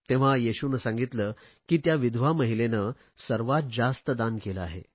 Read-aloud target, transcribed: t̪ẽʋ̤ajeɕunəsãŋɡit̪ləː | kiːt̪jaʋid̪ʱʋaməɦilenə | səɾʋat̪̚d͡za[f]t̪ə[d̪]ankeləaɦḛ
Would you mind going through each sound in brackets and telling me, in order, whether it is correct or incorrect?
incorrect: s, correct

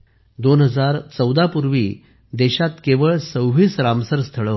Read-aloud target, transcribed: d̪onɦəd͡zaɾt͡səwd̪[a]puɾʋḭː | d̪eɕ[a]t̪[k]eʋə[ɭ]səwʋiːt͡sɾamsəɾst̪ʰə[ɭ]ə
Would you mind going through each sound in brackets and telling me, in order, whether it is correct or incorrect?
correct, correct, correct, correct, correct

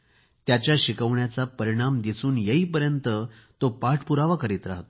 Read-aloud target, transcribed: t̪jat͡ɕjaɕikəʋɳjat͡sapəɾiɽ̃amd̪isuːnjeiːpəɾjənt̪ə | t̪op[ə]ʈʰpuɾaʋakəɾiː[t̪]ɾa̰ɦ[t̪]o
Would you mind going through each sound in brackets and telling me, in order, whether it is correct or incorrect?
incorrect: a, correct, correct

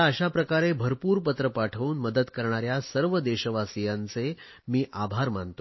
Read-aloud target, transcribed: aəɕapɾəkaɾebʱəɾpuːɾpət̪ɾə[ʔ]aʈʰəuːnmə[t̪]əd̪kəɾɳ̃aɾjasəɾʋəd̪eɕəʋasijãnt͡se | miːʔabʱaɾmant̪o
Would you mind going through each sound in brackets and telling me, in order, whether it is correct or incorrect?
incorrect: p, incorrect: d̪

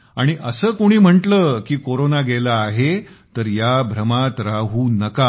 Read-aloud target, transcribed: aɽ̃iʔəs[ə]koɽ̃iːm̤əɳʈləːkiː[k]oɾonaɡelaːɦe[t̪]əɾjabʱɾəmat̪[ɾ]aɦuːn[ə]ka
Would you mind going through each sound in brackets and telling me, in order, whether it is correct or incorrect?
incorrect: əː, correct, correct, correct, correct

